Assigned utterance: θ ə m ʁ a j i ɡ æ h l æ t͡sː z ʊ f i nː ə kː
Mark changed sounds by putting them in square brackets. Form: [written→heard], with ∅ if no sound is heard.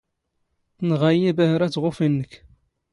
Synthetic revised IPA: θ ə [m→n] ʁ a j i [ɡ→b] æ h [l→ɾ] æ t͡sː [z→ʁ] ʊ f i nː ə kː